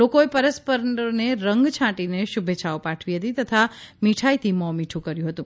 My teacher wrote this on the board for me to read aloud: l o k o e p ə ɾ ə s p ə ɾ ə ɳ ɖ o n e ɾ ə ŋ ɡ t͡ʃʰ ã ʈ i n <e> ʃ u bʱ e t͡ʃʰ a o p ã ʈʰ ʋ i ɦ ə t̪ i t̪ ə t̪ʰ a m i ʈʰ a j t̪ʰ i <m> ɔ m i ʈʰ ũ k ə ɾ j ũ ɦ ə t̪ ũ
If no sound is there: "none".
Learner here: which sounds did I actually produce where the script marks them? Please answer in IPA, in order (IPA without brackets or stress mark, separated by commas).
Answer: e, m